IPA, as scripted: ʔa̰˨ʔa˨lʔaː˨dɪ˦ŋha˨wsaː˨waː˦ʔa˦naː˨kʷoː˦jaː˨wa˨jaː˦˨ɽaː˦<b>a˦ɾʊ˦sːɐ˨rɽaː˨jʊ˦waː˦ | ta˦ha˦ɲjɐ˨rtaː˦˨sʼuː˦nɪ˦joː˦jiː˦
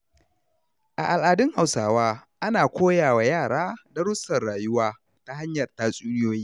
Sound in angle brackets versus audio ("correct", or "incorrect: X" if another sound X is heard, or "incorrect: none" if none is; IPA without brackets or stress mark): incorrect: d